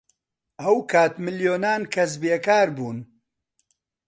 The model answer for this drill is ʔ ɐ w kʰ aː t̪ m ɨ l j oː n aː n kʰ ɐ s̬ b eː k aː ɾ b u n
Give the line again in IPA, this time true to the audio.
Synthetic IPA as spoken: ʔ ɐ w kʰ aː t̪ m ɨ l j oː n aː n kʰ ɐ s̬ b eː k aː ɾ b uː n